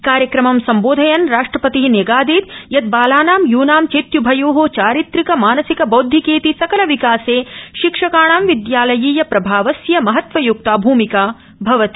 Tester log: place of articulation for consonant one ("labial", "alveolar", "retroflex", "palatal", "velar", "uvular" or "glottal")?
velar